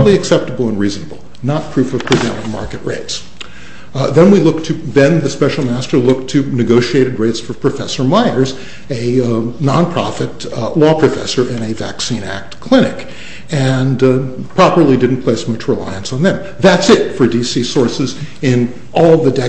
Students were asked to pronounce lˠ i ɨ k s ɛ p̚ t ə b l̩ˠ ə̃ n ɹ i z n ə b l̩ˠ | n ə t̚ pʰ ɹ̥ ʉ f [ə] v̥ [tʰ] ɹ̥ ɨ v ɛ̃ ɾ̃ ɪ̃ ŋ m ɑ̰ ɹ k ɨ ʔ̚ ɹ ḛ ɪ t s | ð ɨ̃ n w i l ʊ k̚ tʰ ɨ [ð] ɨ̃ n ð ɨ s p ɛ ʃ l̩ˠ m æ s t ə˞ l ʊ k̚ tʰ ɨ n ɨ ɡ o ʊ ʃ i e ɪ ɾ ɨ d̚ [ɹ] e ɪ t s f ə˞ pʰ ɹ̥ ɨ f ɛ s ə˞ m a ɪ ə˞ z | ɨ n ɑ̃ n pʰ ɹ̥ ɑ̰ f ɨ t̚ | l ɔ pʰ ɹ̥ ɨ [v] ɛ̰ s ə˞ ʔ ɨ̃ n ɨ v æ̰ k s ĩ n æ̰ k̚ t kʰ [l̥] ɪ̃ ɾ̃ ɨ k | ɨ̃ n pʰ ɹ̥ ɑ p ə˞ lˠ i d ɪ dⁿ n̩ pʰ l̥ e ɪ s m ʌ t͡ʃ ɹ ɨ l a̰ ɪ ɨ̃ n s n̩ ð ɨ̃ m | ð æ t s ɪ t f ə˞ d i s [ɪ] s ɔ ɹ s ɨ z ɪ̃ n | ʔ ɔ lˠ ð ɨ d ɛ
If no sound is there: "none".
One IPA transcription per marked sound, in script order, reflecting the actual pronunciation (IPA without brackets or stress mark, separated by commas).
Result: ʌ, pʰ, ð, ɹ, f, l̥, i